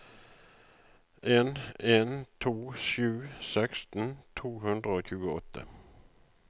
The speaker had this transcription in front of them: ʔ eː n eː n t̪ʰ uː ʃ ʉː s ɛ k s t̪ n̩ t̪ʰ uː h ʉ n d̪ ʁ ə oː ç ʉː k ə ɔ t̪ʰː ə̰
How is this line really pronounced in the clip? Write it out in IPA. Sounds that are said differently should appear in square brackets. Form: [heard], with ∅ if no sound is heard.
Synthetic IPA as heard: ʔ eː n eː n t̪ʰ uː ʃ ʉː s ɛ k s t̪ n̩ t̪ʰ uː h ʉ n d̪ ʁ ə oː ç ʉː [ɡ] ə ɔ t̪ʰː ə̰

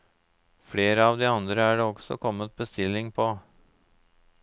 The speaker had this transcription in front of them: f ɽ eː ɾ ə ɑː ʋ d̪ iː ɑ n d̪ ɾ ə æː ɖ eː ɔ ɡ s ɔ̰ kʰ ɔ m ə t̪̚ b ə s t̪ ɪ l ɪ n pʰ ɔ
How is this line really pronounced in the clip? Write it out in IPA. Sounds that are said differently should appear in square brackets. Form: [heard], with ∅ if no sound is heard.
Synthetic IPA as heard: f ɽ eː ɾ ə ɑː ʋ d̪ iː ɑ n d̪ ɾ ə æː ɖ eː ɔ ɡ s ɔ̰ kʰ ɔ m ə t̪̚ b ə s t̪ ɪ l ɪ [ŋ] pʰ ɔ

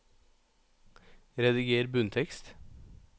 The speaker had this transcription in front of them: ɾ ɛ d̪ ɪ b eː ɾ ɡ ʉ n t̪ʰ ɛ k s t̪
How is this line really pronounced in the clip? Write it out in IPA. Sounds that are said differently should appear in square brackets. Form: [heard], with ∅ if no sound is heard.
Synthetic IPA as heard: ɾ ɛ d̪ ɪ [ɡ] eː ɾ [b] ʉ n t̪ʰ ɛ k s t̪

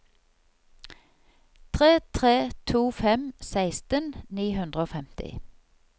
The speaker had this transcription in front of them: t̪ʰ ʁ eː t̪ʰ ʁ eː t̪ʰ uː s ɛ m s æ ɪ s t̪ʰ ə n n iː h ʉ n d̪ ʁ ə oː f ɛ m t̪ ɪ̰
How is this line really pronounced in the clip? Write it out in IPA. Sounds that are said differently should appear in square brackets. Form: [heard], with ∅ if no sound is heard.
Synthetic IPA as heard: t̪ʰ ʁ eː t̪ʰ ʁ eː t̪ʰ uː [f] ɛ m s æ ɪ s [t̪] ə n n iː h ʉ n d̪ ʁ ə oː f ɛ m t̪ ɪ̰

